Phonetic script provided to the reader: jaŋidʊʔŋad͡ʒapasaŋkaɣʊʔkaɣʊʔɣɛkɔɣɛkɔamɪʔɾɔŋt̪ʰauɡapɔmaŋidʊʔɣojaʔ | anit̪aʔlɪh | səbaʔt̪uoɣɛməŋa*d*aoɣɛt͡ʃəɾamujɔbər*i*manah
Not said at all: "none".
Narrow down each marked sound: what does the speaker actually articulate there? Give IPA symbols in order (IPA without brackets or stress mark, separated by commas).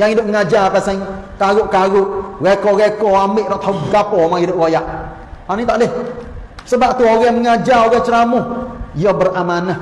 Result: d͡ʒ, a